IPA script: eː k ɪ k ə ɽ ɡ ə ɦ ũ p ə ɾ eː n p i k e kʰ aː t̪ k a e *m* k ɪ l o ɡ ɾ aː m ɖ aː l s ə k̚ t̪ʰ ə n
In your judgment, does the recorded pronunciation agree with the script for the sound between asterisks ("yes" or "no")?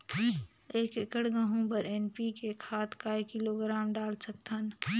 no